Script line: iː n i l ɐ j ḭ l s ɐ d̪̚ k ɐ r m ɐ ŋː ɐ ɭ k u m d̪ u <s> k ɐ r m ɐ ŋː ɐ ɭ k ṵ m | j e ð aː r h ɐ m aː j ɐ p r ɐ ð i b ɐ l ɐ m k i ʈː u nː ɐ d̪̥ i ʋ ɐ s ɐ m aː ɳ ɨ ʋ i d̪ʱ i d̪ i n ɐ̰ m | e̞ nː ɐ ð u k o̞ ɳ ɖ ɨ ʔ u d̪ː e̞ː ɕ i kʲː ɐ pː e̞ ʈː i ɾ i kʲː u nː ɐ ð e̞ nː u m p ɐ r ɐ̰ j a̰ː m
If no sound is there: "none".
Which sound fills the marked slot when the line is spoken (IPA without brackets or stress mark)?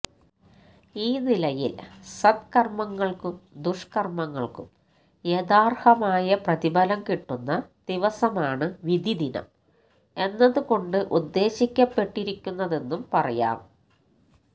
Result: ʂ